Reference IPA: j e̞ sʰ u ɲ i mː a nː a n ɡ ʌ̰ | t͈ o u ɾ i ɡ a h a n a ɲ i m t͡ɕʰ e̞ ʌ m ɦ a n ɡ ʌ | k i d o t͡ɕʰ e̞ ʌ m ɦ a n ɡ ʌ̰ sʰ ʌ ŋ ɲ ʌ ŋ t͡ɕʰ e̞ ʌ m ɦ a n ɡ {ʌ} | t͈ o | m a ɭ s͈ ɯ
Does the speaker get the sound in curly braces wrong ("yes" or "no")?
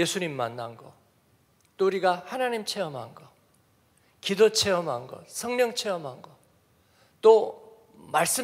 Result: no